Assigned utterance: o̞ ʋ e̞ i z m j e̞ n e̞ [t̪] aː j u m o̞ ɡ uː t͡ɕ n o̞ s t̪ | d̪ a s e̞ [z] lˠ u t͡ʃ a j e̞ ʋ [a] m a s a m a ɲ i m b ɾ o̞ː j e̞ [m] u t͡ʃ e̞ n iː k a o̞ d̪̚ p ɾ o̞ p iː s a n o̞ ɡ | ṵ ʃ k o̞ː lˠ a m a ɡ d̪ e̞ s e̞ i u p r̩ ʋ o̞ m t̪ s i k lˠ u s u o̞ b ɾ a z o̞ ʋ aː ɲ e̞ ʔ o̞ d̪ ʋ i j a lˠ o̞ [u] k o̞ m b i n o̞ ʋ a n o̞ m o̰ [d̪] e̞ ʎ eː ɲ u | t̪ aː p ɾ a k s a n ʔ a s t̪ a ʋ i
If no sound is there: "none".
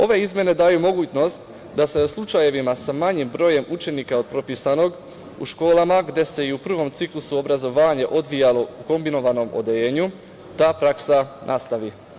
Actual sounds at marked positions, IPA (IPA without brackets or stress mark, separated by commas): d̪, s, i, m, u, d̪